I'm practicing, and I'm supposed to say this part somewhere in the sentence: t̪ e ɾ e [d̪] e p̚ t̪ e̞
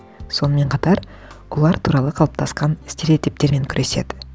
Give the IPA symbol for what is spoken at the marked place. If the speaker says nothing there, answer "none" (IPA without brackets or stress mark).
t̪